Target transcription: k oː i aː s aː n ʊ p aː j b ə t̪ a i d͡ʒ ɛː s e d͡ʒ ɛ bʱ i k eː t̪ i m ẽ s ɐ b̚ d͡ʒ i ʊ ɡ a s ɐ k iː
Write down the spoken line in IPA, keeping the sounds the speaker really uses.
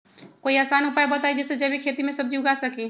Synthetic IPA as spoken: k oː i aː s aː n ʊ p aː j b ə t̪ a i d͡ʒ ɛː s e d͡ʒ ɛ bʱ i kʰ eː t̪ i m ẽ s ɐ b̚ d͡ʒ i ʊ ɡ a s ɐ k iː